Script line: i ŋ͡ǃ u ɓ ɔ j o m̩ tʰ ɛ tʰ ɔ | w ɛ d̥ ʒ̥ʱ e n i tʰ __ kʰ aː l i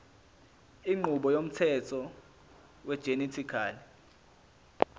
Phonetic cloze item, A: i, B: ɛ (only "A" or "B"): A